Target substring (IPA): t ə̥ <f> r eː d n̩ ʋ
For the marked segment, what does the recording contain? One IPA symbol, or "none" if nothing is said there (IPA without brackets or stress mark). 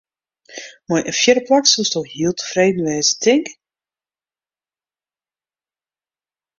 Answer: f